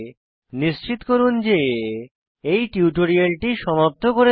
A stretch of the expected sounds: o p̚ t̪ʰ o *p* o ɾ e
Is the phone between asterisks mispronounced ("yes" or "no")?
yes